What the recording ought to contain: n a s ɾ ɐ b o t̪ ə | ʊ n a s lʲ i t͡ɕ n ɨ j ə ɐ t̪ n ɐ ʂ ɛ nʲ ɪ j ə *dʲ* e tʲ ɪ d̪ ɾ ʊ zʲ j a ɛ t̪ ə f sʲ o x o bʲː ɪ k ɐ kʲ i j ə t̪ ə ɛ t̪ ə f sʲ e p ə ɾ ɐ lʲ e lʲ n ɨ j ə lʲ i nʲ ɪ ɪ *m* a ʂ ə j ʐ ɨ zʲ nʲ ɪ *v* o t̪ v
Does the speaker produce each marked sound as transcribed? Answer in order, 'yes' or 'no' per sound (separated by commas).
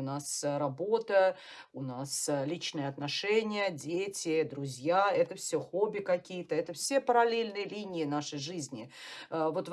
yes, no, yes